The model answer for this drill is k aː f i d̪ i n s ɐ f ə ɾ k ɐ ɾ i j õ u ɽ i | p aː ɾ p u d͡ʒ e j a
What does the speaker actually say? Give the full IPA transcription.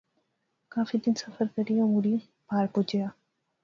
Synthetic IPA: k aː f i d̪ i n s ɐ f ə ɾ k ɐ ɾ i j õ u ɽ i | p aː ɾ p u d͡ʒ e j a